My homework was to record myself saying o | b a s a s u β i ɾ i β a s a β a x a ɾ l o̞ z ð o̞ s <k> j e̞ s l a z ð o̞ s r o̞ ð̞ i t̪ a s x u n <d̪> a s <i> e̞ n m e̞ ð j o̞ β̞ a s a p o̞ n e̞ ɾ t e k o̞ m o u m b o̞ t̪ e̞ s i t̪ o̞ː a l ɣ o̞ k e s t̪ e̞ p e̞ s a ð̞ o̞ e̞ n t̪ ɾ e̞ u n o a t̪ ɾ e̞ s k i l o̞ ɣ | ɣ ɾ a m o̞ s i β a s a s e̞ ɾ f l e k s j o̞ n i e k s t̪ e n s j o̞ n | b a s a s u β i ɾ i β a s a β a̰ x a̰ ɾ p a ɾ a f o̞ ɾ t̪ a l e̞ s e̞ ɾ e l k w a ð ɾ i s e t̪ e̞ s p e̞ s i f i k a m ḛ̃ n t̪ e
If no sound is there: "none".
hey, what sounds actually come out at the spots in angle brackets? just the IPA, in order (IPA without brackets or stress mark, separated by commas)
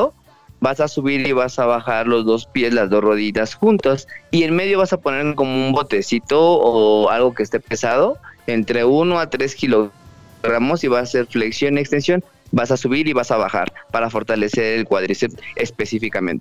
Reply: p, t̪, i